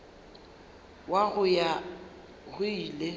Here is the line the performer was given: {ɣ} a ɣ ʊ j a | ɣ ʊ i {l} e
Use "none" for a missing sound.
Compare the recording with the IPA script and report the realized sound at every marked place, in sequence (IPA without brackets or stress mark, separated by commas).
w, l